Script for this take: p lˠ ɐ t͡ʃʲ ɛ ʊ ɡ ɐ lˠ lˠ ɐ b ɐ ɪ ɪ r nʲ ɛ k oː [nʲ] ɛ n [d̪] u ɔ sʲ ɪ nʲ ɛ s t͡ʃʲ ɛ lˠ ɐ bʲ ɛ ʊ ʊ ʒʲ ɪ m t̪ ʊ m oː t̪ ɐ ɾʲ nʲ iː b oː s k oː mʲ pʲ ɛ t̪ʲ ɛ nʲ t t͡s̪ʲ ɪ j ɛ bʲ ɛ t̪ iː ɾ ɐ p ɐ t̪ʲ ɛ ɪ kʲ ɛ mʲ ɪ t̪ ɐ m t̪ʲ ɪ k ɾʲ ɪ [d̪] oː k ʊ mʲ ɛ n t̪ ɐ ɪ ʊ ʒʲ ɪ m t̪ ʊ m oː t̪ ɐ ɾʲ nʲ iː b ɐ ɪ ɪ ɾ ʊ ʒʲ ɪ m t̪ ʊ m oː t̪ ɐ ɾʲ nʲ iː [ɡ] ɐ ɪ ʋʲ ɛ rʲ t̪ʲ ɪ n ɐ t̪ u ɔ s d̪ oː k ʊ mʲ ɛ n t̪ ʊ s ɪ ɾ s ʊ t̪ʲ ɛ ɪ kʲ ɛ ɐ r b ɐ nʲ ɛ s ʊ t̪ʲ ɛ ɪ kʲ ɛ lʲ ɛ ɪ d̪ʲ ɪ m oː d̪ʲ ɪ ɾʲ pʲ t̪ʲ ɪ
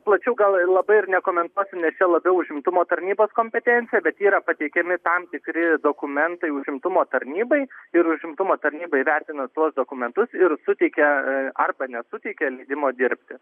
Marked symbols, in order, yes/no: no, no, yes, no

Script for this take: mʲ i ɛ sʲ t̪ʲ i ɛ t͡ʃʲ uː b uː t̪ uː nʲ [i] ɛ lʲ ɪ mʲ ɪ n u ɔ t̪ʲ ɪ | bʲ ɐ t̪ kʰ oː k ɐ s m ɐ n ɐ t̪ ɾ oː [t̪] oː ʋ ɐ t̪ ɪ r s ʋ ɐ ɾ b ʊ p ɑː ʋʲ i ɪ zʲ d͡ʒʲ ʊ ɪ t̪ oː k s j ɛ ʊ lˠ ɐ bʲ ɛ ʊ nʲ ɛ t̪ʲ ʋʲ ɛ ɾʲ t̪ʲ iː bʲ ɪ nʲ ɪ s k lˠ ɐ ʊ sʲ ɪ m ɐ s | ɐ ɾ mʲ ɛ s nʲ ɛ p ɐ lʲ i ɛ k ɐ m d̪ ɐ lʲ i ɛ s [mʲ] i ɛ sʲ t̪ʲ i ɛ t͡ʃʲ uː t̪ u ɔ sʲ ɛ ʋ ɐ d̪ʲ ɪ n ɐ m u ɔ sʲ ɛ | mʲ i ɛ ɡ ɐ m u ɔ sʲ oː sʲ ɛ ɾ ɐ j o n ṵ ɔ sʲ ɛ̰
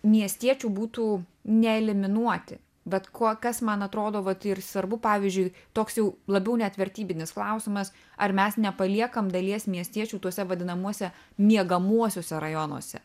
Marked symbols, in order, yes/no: no, no, yes

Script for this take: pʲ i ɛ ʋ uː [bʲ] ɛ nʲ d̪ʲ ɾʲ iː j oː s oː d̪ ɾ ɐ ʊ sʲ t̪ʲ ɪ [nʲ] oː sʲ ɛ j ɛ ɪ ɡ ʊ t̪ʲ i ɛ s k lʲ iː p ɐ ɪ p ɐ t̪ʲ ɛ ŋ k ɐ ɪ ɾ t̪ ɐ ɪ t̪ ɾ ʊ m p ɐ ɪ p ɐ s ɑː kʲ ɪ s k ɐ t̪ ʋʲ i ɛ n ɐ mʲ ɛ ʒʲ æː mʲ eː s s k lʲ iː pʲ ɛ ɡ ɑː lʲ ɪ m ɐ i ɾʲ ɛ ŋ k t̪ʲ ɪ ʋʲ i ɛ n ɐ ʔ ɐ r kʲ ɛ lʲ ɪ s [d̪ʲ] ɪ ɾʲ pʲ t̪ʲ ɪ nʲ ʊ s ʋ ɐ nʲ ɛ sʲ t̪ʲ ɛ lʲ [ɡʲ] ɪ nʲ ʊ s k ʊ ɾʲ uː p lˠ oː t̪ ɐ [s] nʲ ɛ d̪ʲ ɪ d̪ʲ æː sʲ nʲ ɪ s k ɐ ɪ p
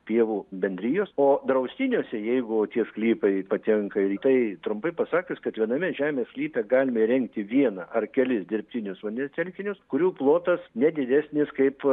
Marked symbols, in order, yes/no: yes, yes, yes, no, yes

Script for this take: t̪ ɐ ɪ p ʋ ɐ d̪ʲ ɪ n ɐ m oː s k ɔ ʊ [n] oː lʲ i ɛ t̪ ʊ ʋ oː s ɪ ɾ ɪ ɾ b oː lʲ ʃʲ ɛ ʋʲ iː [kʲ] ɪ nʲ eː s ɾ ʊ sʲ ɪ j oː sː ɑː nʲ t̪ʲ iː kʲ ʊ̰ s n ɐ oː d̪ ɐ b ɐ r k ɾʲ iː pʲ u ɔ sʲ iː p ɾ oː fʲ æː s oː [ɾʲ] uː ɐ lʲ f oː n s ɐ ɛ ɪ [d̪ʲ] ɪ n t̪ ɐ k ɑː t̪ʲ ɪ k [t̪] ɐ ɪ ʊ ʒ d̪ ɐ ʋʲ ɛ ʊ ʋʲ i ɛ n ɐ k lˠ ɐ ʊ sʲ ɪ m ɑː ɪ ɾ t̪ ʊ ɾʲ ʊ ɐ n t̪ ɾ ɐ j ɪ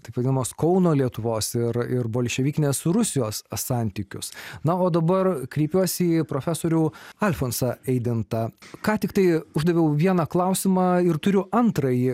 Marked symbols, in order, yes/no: yes, yes, yes, yes, yes

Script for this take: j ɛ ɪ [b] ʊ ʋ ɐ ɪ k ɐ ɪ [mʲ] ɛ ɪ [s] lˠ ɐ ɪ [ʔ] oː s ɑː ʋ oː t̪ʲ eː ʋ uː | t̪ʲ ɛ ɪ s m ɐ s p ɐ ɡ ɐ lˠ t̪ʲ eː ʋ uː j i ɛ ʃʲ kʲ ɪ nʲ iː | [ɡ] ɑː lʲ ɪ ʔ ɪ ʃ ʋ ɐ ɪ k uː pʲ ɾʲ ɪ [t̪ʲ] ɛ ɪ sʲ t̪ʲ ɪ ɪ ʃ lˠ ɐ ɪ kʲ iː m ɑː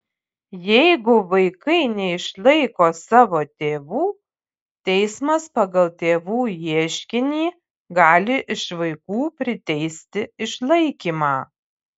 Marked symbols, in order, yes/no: no, no, no, no, yes, yes

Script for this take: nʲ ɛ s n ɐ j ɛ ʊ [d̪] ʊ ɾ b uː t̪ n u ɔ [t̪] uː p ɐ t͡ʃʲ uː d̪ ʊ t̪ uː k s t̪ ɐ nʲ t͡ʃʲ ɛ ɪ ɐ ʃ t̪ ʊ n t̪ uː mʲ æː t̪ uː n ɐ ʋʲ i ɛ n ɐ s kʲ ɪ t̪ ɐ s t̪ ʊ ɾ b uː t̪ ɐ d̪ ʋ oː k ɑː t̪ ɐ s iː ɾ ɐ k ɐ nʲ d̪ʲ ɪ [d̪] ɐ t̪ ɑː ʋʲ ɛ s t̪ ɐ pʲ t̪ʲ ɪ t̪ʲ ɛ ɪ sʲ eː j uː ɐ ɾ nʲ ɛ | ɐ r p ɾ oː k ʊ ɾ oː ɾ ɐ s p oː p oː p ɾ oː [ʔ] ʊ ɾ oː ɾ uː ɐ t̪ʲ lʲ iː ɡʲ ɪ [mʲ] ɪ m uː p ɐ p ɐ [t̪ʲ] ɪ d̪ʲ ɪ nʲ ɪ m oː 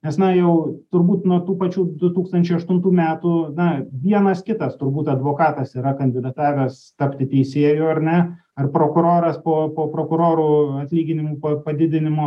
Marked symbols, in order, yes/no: no, yes, yes, no, no, no

